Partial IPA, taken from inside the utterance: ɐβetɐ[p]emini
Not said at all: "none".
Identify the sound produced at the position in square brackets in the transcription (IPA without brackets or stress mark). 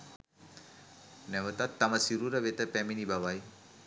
p